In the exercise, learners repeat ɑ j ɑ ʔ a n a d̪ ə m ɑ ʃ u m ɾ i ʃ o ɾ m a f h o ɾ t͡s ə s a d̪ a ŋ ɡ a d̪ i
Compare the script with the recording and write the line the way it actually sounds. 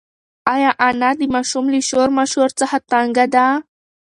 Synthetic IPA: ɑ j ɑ ʔ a n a d̪ ə m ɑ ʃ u m l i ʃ o ɾ m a ʃ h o ɾ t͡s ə x a t̪ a ŋ ɡ a d̪ a